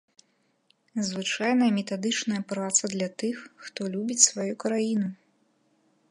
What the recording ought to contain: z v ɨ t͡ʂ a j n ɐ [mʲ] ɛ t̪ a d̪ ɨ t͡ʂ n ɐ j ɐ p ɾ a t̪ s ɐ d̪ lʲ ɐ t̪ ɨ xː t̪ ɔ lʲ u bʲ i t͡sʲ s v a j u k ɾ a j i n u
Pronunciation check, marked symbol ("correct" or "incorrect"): correct